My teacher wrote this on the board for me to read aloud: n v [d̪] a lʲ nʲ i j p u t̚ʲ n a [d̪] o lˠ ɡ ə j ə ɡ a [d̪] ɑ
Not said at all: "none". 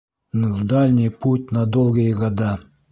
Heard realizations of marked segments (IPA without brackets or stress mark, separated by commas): d̪, d̪, d̪